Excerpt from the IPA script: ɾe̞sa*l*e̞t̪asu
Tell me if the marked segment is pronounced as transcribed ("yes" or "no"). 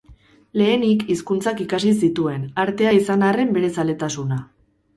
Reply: yes